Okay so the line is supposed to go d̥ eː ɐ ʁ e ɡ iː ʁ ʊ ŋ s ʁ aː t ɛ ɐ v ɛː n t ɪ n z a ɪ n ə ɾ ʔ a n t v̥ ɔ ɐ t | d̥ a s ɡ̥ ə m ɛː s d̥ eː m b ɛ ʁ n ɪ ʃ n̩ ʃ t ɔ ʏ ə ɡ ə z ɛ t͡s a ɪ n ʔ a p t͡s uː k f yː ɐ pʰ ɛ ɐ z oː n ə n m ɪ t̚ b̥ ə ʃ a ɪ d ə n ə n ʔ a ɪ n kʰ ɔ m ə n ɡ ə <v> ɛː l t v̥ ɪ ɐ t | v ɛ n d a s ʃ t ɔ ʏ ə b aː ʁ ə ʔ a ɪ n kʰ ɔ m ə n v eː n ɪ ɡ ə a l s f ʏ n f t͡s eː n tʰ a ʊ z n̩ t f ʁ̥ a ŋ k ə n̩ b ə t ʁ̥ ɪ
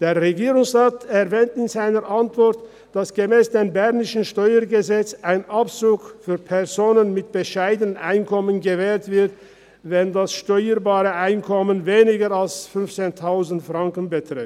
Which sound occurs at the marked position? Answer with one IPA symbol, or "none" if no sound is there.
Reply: v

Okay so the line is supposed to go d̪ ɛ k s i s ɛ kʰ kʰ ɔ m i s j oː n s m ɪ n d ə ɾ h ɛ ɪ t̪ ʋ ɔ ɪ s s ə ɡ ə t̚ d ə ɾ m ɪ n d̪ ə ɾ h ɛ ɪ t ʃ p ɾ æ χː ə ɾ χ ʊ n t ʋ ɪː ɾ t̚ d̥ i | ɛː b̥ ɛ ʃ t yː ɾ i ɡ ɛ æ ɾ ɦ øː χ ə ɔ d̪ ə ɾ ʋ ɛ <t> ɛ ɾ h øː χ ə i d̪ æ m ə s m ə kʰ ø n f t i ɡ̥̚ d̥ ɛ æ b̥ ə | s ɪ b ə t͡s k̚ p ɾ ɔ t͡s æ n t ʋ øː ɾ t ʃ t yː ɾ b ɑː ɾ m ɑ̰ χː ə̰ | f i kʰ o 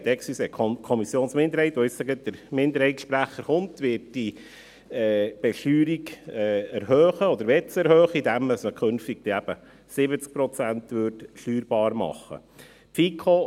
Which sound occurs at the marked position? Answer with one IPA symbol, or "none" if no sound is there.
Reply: t͡s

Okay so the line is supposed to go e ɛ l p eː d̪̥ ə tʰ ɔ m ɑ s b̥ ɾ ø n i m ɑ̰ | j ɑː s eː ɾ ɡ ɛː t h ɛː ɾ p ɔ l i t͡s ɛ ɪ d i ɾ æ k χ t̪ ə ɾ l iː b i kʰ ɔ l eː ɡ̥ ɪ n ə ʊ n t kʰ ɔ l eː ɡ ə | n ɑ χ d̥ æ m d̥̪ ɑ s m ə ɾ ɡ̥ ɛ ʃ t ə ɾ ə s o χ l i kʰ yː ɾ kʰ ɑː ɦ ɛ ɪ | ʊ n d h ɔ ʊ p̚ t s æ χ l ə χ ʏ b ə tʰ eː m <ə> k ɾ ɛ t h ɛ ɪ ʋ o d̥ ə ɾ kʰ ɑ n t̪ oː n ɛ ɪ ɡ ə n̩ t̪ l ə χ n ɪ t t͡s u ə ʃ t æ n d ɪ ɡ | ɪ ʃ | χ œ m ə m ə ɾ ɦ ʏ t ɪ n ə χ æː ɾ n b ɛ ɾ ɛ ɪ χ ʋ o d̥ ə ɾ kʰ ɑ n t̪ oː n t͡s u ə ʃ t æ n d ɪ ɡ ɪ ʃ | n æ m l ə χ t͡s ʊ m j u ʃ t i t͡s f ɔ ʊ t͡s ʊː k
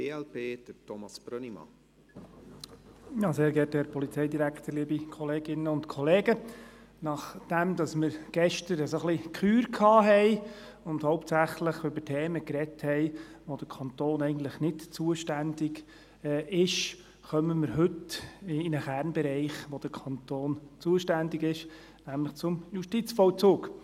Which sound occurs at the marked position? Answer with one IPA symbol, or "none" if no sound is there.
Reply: ə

